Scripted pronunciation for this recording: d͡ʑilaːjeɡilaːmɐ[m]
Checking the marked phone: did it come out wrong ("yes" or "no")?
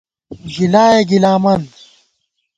yes